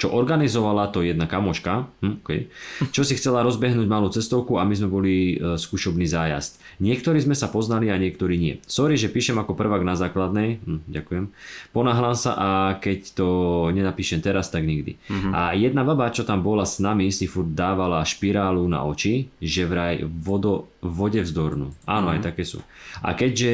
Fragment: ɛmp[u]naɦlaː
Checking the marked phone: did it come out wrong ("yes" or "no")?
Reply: yes